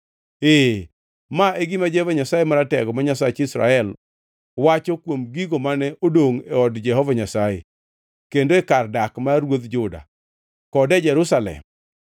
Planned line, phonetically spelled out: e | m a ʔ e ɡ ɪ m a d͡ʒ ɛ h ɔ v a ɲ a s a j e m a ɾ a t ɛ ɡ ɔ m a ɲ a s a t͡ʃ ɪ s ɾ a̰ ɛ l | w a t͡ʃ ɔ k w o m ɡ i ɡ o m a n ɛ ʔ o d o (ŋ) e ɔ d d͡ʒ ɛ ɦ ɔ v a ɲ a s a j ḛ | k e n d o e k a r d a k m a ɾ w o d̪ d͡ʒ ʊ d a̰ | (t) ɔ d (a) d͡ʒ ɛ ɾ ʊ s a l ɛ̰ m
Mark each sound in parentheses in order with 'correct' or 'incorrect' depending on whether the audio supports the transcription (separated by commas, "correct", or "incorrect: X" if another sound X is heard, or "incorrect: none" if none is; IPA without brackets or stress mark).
correct, incorrect: k, incorrect: ɛ